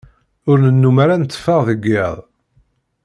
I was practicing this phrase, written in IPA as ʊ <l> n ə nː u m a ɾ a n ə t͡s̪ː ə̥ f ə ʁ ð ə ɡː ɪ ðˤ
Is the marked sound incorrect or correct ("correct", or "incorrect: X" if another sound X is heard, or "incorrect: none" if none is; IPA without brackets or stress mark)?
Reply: incorrect: ɾ